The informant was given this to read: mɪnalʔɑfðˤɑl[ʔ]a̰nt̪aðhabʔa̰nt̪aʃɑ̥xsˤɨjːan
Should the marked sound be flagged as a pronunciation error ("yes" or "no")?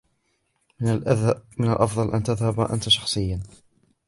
no